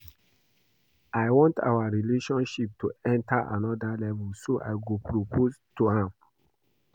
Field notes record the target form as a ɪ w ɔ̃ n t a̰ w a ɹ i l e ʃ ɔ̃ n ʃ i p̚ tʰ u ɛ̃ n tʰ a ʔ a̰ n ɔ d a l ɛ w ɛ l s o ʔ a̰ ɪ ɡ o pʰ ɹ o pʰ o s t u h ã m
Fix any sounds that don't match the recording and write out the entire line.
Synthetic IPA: a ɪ w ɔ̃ n t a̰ w a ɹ i l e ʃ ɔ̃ n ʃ i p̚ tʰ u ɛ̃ n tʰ a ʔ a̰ n ɔ d a l ɛ v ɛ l s o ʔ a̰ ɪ ɡ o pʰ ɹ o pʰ o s t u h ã m